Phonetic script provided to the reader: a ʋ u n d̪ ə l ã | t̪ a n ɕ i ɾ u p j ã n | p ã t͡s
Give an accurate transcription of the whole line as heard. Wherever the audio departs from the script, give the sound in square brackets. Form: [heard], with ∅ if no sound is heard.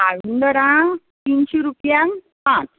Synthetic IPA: a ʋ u n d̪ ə [ɾ] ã | t̪ [i] n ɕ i ɾ u p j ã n | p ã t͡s